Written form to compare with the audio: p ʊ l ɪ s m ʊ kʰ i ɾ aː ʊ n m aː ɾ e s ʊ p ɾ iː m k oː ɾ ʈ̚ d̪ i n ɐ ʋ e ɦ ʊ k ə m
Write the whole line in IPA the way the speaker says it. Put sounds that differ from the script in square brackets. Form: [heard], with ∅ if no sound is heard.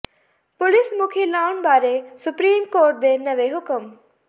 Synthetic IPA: p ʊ l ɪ s m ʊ kʰ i [l] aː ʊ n [b] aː ɾ e s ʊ p ɾ iː m k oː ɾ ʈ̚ d̪ [e] n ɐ ʋ e ɦ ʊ k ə m

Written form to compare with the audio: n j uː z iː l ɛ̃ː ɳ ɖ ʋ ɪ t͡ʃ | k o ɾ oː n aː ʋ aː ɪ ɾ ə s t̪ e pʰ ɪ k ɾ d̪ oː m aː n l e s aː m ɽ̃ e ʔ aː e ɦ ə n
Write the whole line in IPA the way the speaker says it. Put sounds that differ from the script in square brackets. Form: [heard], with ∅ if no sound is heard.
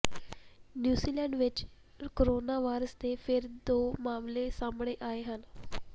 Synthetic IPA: n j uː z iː l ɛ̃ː ɳ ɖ ʋ ɪ t͡ʃ | k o ɾ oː n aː ʋ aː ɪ ɾ ə s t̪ e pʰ ɪ [∅] ɾ d̪ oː m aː [m] l e s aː m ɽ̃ e ʔ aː e ɦ ə n

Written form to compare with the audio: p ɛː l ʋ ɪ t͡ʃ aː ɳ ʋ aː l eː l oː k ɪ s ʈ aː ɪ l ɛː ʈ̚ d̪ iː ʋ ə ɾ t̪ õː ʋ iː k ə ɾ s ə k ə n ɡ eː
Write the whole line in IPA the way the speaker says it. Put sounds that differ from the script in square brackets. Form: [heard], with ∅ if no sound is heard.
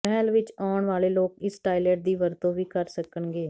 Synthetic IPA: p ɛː l ʋ ɪ t͡ʃ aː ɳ ʋ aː l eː l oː k ɪ s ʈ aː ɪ l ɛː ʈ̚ d̪ iː ʋ ə ɾ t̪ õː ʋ iː k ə ɾ s ə k ə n ɡ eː

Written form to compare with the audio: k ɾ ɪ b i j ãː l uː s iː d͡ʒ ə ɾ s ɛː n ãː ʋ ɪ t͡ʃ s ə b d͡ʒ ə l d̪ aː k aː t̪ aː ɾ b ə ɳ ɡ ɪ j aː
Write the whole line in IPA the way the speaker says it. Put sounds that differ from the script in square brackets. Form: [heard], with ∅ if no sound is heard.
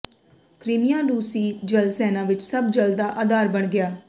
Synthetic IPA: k ɾ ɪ [m] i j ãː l uː s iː d͡ʒ ə [l] s ɛː n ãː ʋ ɪ t͡ʃ s ə b d͡ʒ ə l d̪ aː [ʔ] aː [d̪] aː ɾ b ə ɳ ɡ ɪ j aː

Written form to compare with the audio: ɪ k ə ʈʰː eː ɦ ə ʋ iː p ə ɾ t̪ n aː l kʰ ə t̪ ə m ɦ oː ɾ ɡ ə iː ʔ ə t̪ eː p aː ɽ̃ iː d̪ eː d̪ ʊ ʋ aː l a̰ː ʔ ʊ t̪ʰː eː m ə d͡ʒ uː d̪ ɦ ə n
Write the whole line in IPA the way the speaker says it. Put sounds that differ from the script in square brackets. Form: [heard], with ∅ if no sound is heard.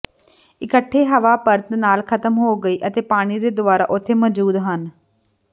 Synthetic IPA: ɪ k ə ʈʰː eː ɦ ə ʋ [aː] p ə ɾ t̪ n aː l kʰ ə t̪ ə m ɦ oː [∅] ɡ ə iː ʔ ə t̪ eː p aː ɽ̃ iː d̪ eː d̪ ʊ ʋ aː [ɾ] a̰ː ʔ ʊ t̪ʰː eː m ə d͡ʒ uː d̪ ɦ ə n

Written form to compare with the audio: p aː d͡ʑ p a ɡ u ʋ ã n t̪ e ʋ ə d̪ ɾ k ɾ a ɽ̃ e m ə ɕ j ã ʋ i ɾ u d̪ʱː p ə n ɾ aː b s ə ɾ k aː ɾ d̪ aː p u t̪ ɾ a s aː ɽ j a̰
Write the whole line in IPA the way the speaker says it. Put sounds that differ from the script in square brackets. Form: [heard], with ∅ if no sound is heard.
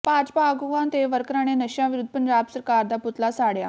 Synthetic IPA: p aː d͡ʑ p a ɡ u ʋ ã n t̪ e ʋ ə [∅] ɾ k ɾ a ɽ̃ e [n] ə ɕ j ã ʋ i ɾ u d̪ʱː p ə n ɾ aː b s ə ɾ k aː ɾ d̪ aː p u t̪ [l] a s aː ɽ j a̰

